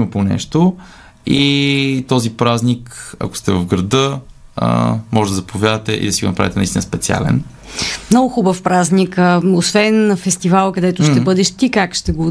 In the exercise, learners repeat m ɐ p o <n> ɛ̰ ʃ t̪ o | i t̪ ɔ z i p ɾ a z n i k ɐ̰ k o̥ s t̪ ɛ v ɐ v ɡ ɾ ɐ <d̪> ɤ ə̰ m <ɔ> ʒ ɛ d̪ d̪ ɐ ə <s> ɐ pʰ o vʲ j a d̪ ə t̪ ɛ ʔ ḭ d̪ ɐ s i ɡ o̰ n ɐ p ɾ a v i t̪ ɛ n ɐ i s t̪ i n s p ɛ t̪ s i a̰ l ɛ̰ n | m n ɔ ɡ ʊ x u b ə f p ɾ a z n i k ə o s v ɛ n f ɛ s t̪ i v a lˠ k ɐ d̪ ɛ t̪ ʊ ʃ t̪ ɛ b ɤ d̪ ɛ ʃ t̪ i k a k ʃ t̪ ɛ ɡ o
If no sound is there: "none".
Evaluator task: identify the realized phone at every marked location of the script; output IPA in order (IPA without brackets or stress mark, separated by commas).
n, d̪, ɔ, z